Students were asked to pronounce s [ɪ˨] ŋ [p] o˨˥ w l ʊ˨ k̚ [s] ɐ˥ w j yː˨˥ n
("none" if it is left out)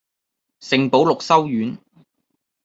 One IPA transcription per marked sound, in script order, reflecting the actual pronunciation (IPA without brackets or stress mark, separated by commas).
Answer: ɪ˨, p, s